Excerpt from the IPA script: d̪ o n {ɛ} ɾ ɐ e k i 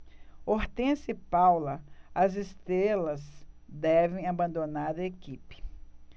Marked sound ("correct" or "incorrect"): incorrect